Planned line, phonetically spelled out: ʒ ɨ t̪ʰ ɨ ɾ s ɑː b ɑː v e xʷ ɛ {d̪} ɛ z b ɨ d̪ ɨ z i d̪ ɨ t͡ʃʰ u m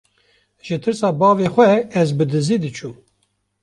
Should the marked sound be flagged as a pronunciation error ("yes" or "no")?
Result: yes